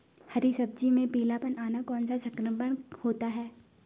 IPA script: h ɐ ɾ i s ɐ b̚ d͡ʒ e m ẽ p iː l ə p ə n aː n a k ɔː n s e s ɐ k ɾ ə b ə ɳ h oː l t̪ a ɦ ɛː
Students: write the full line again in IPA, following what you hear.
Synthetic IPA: h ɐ ɾ i s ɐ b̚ d͡ʒ i m ẽ p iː l a p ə n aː n a k ɔː n s a s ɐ k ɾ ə b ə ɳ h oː t̪ a ɦ ɛː